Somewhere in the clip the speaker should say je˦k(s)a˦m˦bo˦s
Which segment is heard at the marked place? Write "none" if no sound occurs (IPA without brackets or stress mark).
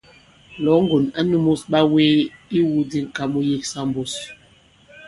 s